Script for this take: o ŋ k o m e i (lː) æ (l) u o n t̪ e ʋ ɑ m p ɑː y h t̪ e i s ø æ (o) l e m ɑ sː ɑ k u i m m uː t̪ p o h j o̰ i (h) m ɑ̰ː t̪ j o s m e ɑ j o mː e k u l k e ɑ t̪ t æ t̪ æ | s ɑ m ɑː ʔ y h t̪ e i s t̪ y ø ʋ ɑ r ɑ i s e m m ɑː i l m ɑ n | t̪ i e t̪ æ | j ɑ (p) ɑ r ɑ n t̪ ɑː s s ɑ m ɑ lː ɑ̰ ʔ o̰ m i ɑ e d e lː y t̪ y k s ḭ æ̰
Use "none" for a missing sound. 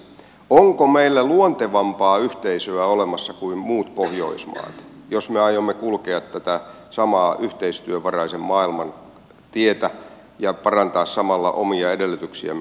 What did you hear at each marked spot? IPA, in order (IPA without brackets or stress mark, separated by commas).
lː, l, o, s, p